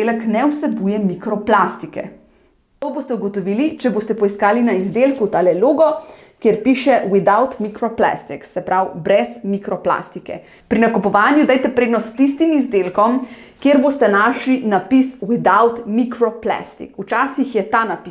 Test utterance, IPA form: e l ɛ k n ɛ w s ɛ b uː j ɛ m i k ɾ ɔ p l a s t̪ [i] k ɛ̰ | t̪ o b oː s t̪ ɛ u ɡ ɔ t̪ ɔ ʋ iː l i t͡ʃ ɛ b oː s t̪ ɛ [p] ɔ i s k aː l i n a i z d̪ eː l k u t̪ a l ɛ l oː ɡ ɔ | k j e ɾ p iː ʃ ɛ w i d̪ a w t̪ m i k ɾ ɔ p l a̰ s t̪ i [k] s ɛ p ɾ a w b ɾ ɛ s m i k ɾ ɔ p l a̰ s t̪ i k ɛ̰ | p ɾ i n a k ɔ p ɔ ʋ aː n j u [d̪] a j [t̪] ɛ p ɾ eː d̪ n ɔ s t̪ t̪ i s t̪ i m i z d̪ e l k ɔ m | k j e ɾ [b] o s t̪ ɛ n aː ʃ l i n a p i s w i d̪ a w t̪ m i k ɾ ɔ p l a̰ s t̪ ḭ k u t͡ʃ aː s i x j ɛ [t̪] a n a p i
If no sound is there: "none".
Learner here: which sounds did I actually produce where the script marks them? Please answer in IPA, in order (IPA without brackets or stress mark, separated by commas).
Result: i, p, k, d̪, t̪, b, t̪